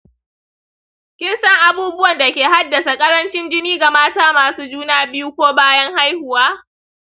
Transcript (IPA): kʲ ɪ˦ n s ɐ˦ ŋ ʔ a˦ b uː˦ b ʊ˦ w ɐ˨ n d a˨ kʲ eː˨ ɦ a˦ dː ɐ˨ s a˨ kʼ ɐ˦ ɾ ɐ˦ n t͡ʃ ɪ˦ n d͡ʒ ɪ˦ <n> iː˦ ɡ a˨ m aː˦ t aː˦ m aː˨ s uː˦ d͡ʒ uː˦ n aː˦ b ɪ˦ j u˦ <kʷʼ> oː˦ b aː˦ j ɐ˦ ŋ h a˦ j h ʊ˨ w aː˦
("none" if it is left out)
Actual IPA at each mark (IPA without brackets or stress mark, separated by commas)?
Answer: n, kʷ